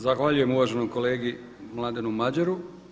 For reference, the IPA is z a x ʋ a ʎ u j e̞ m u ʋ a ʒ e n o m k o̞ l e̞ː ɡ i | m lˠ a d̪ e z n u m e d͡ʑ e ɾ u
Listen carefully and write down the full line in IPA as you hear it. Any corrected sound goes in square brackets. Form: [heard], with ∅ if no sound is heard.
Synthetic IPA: z a x ʋ a ʎ u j e̞ m u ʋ a ʒ e n o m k o̞ l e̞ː ɡ i | m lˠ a d̪ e [∅] n u m [a] d͡ʑ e ɾ u